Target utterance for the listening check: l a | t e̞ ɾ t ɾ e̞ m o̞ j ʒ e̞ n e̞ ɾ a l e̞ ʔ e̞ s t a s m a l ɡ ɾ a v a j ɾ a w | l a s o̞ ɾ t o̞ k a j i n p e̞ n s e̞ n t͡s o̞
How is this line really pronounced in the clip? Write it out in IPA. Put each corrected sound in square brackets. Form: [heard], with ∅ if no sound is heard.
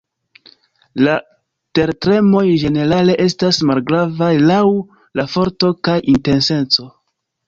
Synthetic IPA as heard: l a | t e̞ ɾ t ɾ e̞ m o̞ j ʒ e̞ n e̞ ɾ a l e̞ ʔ e̞ s t a s m a l ɡ ɾ a v a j [l] a w | l a [f] o̞ ɾ t o̞ k a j i n [t] e̞ n s e̞ n t͡s o̞